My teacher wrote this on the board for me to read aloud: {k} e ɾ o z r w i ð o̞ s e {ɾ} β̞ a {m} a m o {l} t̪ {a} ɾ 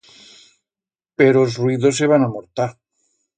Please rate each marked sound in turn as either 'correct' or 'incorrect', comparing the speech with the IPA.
incorrect: p, incorrect: none, incorrect: n, incorrect: ɾ, correct

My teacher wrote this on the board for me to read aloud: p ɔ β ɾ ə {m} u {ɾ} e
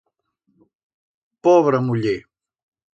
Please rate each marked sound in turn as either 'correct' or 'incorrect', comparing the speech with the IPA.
correct, incorrect: ʎ

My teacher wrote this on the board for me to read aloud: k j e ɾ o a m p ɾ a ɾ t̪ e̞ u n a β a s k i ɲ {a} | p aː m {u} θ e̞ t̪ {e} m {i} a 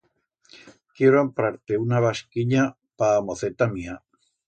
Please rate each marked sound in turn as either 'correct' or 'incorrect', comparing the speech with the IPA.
correct, incorrect: o, incorrect: a, correct

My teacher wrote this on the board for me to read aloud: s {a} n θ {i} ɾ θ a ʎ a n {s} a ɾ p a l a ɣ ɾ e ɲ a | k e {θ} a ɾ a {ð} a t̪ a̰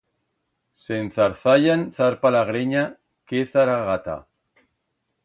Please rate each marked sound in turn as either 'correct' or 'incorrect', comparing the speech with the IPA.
incorrect: e, incorrect: a, incorrect: θ, correct, incorrect: ɣ

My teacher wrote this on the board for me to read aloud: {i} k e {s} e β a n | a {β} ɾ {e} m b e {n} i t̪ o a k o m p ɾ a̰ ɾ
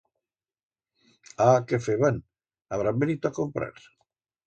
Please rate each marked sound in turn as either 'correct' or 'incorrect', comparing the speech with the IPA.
incorrect: a, incorrect: f, correct, incorrect: a, correct

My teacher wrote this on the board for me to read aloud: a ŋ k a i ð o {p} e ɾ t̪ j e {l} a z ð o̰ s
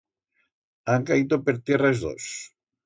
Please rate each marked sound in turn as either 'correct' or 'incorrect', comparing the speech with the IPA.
correct, incorrect: r

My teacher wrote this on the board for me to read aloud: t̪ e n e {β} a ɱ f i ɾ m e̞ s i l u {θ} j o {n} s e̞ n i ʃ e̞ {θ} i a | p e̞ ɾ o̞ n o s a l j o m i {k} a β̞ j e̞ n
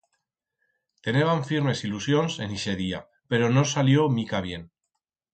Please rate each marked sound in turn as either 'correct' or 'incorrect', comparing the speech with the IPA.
correct, incorrect: s, correct, incorrect: ð, correct

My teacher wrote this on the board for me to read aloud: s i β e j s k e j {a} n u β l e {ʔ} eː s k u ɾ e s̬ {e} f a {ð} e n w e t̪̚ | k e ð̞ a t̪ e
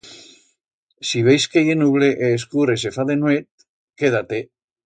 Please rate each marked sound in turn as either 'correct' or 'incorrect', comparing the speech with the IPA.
incorrect: e, correct, correct, correct

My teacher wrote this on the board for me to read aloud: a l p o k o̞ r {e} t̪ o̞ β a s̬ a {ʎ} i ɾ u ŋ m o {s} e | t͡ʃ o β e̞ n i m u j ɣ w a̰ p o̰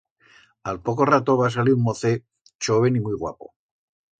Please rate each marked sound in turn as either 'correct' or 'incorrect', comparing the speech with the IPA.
incorrect: a, incorrect: l, incorrect: θ

